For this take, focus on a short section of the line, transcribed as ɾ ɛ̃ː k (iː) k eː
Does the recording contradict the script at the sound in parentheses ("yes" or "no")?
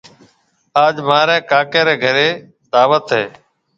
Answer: yes